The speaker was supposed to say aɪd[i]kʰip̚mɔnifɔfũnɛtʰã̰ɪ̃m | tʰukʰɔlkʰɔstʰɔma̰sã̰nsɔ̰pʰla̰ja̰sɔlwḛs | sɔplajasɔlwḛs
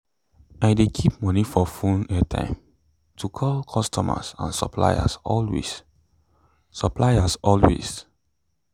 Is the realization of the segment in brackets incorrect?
yes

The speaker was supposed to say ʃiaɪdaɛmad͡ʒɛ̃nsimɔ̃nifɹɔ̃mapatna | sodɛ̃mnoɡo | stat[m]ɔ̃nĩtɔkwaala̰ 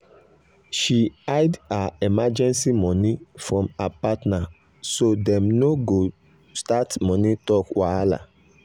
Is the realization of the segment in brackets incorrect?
no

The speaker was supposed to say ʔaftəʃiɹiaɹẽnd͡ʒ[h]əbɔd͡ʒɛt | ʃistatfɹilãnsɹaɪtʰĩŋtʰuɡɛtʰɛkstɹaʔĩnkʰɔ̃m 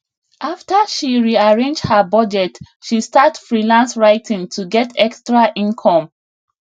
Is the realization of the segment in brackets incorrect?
no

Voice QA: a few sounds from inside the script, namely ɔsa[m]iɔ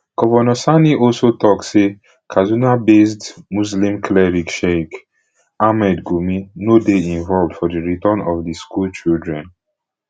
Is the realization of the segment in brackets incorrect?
yes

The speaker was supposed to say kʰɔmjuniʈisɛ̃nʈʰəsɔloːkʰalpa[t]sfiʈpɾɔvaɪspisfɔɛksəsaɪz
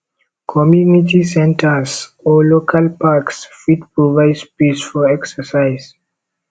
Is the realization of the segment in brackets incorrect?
yes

